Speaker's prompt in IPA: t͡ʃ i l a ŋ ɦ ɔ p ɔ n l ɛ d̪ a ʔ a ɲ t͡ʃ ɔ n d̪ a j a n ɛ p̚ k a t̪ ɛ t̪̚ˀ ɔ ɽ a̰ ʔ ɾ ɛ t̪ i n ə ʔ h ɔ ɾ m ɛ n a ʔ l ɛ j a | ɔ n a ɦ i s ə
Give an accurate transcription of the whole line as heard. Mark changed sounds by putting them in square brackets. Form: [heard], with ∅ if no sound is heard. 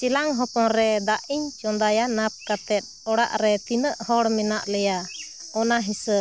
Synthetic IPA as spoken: t͡ʃ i l a ŋ ɦ ɔ p ɔ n [ɾ] ɛ d̪ a ʔ [i] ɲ t͡ʃ ɔ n d̪ a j a n [a] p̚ k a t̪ ɛ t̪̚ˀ ɔ ɽ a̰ ʔ ɾ ɛ t̪ i n ə ʔ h ɔ [ɽ] m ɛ n a ʔ l ɛ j a | ɔ n a ɦ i s ə